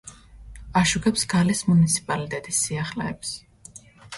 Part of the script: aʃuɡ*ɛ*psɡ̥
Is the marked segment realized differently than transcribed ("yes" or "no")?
no